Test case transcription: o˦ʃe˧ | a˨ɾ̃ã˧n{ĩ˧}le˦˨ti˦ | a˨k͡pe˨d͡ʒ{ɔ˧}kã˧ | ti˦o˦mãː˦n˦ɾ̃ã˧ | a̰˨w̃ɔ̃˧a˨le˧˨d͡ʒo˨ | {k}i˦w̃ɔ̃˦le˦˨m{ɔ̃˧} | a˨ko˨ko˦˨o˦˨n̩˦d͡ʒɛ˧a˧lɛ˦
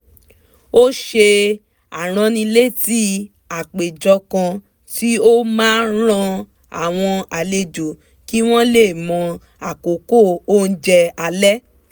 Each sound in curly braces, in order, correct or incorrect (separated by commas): correct, correct, correct, correct